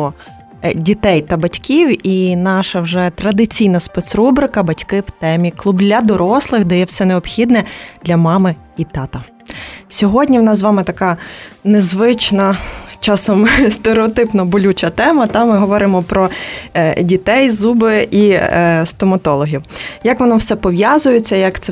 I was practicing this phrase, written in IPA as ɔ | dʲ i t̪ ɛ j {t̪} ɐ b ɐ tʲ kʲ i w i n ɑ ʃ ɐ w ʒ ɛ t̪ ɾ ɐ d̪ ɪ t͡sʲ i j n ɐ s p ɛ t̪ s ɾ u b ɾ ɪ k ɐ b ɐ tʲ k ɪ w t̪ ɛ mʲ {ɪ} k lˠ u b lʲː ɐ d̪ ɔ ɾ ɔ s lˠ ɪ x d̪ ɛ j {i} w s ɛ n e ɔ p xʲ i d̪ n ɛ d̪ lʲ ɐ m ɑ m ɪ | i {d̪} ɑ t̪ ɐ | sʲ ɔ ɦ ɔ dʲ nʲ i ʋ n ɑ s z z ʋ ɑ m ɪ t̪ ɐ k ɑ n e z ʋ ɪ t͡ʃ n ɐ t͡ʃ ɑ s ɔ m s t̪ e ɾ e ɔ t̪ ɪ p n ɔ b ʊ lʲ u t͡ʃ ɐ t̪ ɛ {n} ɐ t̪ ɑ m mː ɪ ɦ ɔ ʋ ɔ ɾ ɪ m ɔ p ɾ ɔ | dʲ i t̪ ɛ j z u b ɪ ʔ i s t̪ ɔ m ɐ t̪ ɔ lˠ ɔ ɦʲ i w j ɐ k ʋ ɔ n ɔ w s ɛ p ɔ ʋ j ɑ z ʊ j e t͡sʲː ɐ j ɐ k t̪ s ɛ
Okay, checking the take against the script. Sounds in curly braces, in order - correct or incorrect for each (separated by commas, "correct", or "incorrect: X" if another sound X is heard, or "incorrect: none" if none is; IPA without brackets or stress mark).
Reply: correct, incorrect: i, incorrect: ɛ, incorrect: t̪, incorrect: m